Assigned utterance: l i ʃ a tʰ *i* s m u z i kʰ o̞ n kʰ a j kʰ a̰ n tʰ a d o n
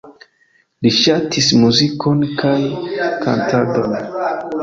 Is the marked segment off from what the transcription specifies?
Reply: no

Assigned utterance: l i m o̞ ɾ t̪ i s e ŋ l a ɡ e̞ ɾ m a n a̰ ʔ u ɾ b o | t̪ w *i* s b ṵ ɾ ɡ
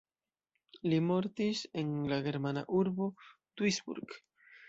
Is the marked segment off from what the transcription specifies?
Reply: no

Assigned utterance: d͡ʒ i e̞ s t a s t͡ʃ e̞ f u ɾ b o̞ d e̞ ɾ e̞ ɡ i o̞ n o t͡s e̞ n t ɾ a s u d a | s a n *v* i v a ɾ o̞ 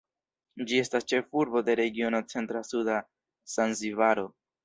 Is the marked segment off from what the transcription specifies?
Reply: yes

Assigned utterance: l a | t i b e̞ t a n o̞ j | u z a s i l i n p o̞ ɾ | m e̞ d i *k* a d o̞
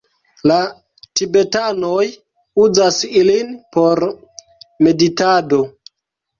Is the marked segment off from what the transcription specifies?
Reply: yes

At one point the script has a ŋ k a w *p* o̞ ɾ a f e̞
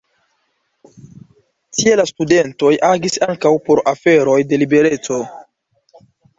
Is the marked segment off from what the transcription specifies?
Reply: no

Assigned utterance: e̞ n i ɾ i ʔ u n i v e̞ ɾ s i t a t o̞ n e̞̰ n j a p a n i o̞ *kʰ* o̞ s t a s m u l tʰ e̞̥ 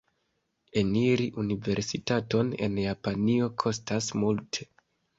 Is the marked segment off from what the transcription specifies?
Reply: no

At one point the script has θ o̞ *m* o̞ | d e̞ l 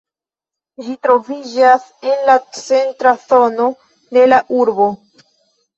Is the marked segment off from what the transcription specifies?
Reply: yes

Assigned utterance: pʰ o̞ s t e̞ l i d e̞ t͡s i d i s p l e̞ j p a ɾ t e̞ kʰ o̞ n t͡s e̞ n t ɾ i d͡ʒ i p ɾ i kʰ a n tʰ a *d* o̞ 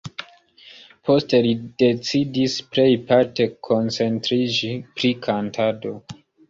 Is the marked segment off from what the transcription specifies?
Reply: no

